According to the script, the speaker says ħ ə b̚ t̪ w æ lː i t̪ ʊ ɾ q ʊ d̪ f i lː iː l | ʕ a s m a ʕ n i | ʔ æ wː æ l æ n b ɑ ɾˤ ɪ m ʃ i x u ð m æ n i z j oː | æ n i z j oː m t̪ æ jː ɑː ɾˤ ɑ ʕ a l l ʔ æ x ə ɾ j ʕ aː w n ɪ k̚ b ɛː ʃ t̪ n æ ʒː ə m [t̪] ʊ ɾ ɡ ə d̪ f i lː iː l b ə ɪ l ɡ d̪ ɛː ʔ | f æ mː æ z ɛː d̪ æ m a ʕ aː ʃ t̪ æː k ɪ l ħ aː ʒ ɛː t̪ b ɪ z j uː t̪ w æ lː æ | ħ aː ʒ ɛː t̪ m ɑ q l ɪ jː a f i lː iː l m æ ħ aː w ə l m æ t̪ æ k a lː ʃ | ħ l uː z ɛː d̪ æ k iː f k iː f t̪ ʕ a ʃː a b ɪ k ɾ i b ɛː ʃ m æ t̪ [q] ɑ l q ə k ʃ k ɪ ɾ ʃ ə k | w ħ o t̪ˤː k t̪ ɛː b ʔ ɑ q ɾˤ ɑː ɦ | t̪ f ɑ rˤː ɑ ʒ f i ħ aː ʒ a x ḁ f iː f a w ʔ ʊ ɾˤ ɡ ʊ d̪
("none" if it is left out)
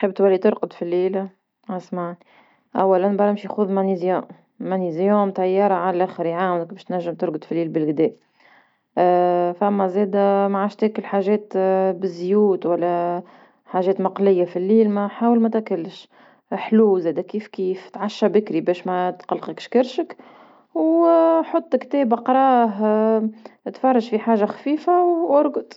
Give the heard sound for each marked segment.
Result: t̪, q

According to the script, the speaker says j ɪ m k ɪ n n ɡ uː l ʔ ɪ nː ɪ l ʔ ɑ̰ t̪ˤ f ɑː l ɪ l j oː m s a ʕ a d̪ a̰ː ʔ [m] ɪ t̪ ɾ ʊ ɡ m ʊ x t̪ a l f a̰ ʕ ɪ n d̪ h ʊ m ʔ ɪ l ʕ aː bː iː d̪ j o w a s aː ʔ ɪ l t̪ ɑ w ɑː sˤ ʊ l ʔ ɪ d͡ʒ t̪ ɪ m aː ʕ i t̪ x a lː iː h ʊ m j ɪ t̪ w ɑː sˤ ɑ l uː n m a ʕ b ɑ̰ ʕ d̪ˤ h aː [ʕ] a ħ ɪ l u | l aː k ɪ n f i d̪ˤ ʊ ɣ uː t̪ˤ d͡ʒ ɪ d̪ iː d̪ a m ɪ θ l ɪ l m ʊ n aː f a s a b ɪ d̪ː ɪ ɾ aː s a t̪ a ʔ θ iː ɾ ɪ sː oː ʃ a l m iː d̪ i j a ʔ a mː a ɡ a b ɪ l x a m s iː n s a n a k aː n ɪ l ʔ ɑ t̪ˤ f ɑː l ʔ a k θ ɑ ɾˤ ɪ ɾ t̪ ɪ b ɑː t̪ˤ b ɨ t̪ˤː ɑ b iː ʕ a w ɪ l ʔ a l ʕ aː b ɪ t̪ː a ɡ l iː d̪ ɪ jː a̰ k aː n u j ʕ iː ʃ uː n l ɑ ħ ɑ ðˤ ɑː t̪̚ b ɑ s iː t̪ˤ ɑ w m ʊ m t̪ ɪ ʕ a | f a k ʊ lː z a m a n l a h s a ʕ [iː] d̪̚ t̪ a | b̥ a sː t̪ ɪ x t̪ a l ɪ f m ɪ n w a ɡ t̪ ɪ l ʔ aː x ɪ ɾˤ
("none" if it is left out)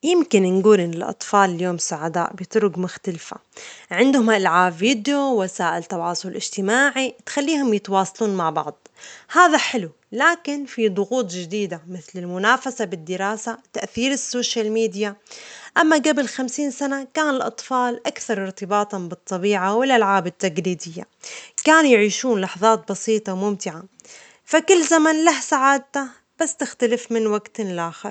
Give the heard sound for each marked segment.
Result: b, ð, aː

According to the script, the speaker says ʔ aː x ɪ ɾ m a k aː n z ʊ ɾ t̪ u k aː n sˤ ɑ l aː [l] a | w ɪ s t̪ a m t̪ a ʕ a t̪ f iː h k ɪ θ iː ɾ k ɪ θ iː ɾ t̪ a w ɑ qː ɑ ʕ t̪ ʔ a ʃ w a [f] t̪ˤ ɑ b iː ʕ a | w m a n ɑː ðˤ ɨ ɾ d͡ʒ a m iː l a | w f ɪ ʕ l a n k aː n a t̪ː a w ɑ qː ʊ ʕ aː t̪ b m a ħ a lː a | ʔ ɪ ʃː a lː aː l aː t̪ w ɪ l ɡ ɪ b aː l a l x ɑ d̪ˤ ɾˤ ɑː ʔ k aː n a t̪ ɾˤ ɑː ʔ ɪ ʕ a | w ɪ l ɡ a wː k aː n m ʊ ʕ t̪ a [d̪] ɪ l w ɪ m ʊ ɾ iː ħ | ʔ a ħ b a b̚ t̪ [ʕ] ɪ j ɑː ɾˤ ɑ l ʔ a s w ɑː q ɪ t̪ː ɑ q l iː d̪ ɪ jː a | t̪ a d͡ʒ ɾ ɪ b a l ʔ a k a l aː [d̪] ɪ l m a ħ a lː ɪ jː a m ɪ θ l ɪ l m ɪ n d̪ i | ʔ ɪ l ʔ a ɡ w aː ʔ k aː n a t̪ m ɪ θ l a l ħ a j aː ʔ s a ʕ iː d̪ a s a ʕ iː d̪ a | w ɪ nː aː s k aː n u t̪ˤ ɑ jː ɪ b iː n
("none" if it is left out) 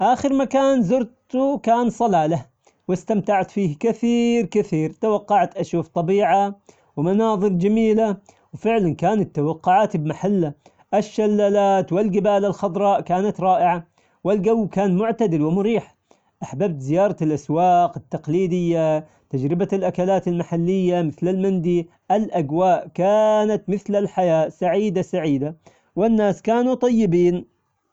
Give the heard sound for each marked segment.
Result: l, f, d̪, z, t̪

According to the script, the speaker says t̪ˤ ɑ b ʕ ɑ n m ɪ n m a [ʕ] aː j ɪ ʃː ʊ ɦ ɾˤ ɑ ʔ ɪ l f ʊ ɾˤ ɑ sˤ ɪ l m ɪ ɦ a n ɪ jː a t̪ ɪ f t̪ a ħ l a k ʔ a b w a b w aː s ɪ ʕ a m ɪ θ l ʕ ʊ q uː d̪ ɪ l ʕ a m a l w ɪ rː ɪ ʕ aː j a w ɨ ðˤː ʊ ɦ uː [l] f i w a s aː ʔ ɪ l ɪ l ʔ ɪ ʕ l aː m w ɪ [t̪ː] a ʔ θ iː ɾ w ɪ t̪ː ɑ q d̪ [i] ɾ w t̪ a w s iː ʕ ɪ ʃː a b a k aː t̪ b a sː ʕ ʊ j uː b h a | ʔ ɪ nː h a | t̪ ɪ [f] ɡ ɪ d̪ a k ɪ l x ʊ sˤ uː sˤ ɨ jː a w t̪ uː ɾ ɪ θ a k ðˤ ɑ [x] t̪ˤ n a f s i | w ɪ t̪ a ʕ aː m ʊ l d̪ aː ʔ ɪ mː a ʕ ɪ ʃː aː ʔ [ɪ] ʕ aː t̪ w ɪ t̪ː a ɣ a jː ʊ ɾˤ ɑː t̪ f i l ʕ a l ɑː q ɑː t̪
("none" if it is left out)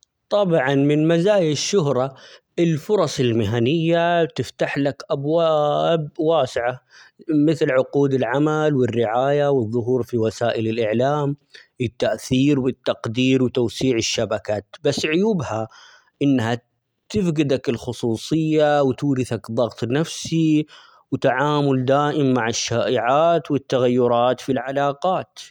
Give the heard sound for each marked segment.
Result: z, ɾ, t̪ː, iː, f, ɣ, ɪ

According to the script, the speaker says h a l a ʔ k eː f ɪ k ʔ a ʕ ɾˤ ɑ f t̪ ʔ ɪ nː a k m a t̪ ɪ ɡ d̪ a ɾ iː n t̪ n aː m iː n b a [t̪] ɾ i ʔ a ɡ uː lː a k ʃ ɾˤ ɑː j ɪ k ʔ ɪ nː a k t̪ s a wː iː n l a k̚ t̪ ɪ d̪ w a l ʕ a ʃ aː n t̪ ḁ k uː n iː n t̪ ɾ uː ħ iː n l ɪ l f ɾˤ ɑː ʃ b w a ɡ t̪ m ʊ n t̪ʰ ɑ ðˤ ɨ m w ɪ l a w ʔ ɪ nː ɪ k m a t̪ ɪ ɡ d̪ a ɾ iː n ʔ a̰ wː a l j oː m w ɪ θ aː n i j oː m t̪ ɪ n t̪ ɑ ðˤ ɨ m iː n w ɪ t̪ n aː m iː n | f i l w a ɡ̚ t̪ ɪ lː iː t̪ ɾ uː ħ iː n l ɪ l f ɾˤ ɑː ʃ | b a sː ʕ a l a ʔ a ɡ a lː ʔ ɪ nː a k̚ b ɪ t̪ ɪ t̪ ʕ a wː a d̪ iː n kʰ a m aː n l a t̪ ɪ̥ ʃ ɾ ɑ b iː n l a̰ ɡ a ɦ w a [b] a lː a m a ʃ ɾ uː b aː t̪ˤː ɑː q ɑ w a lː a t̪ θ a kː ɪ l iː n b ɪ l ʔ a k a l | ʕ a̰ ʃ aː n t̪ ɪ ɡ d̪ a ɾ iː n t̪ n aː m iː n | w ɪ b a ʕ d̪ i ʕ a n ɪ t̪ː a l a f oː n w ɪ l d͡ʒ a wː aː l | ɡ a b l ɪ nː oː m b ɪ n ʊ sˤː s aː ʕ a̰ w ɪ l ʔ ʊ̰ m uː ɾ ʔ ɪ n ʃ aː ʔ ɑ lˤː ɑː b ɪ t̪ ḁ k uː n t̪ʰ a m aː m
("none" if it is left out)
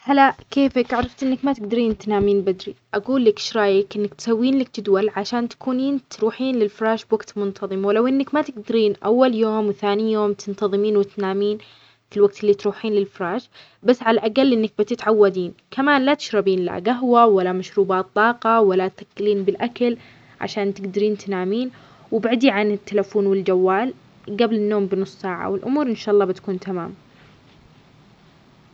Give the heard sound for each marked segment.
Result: d̪, w

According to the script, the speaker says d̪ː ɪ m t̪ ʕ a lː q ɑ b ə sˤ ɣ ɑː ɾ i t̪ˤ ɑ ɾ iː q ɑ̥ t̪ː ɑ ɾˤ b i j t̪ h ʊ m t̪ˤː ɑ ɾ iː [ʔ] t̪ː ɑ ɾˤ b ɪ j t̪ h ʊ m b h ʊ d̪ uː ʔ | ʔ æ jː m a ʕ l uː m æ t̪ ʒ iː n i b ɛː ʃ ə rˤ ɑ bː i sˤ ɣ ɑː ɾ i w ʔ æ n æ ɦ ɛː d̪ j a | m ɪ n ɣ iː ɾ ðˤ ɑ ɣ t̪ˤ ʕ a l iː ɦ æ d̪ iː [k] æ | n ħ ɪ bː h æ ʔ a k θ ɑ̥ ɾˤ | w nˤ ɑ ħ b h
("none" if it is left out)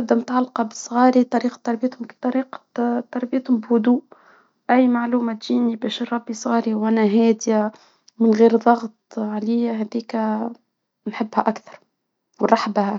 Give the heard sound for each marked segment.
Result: q, k

